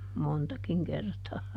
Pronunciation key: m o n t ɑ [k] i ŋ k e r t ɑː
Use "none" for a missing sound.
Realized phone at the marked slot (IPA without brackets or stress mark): k